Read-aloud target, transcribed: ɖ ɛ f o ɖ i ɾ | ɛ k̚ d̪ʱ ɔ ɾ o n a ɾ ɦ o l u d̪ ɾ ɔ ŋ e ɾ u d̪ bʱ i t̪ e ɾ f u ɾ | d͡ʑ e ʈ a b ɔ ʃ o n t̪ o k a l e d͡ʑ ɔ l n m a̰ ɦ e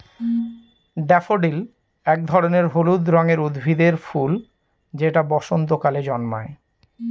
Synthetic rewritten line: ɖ ɛ f o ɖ i l | ɛ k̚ d̪ʱ ɔ ɾ o n e ɾ ɦ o l u d̪ ɾ ɔ ŋ e ɾ u d̪ bʱ i d̪ e ɾ f u l | d͡ʑ e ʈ a b ɔ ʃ o n t̪ o k a l e d͡ʑ ɔ n m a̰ e